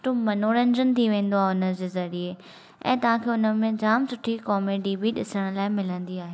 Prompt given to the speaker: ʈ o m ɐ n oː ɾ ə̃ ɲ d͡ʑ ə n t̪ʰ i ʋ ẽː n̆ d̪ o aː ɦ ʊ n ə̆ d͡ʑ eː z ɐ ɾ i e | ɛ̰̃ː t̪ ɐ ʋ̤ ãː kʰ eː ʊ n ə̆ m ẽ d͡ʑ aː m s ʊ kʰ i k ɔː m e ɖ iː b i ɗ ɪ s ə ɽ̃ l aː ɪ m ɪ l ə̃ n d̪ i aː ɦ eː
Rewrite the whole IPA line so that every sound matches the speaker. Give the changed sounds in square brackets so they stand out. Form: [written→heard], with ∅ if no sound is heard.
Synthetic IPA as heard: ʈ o m ɐ n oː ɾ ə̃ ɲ d͡ʑ ə n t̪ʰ i ʋ ẽː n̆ d̪ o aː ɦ ʊ n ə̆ d͡ʑ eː z ɐ ɾ i e | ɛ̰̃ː t̪ ɐ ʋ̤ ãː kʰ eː ʊ n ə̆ m ẽ d͡ʑ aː m s ʊ [kʰ→ʈʰ] i k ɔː m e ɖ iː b i ɗ ɪ s ə ɽ̃ l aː ɪ m ɪ l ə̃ n d̪ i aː ɦ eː